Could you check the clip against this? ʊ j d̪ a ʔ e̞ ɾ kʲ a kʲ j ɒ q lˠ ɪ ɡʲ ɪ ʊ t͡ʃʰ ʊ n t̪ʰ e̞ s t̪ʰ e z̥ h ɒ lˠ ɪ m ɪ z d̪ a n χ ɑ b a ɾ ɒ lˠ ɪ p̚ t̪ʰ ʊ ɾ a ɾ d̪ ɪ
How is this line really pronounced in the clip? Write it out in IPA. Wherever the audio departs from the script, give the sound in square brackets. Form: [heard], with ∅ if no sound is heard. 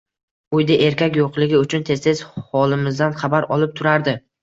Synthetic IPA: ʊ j d̪ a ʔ e̞ ɾ kʲ a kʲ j [o] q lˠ ɪ ɡʲ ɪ ʊ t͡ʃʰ ʊ n t̪ʰ e̞ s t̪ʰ e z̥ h ɒ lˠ ɪ m ɪ z d̪ a n χ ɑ b a ɾ ɒ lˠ ɪ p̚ t̪ʰ ʊ ɾ a ɾ d̪ ɪ